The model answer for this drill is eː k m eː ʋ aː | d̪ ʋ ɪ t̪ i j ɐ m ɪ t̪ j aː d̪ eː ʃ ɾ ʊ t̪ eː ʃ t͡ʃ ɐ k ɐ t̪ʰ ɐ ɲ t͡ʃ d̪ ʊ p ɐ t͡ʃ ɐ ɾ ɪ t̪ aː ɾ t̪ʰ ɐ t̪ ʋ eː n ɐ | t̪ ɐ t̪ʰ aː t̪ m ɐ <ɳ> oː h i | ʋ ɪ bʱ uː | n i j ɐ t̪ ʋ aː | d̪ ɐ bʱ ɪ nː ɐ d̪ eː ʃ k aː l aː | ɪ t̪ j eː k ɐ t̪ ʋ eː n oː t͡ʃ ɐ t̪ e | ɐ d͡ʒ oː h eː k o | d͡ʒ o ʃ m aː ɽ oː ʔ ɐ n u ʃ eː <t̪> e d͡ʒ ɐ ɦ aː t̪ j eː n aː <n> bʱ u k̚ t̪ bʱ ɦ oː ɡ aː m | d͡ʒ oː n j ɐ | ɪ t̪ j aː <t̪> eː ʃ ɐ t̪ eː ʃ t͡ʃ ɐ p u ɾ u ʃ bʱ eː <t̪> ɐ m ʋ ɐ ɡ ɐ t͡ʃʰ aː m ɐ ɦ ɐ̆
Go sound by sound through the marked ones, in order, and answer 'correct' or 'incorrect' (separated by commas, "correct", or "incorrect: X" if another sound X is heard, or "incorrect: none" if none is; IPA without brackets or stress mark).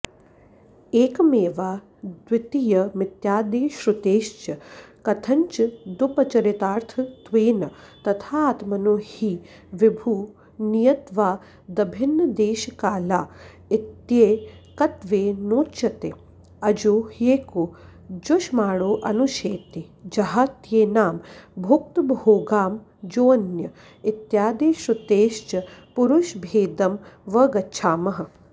incorrect: n, correct, incorrect: m, incorrect: d̪, incorrect: d̪